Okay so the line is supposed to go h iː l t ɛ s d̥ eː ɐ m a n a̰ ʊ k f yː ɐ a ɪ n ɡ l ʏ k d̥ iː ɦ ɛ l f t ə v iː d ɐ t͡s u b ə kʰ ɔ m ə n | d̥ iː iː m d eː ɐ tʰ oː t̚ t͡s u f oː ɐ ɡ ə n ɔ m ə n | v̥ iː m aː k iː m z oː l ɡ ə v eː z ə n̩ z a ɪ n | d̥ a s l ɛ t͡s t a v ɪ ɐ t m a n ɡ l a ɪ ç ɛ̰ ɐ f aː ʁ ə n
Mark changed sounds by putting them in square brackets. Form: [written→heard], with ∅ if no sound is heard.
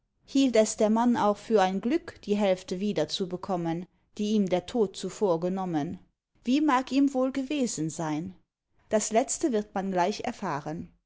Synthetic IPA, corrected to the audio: h iː l t ɛ s d̥ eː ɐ m a n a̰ ʊ [k→x] f yː ɐ a ɪ n ɡ l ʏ k d̥ iː ɦ ɛ l f t ə v iː d ɐ t͡s u b ə kʰ ɔ m ə n | d̥ iː iː m d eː ɐ tʰ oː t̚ t͡s u f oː ɐ ɡ ə n ɔ m ə n | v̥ iː m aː k iː m [z→v] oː l ɡ ə v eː z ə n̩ z a ɪ n | d̥ a s l ɛ t͡s t [a→ə] v ɪ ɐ t m a n ɡ l a ɪ ç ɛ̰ ɐ f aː ʁ ə n